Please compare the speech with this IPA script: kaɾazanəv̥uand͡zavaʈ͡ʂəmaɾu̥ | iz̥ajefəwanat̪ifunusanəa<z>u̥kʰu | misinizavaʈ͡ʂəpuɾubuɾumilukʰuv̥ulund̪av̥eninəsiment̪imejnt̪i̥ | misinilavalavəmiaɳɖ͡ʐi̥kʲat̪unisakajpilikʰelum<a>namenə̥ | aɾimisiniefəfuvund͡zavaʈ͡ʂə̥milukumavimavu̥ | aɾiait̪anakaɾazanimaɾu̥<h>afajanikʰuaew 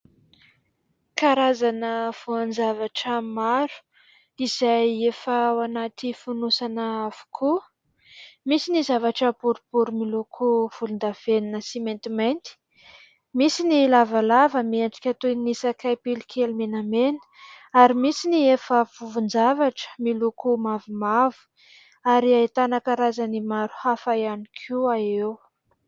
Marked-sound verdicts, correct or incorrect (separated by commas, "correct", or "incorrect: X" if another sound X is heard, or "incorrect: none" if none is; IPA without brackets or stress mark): incorrect: v, incorrect: e, correct